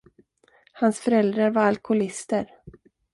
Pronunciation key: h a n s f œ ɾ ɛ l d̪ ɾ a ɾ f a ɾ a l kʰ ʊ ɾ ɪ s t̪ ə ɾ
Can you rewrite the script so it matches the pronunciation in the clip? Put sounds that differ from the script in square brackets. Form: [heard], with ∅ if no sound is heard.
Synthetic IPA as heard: h a n s f œ ɾ ɛ l d̪ ɾ a ɾ [v] a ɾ a l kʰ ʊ [l] ɪ s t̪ ə ɾ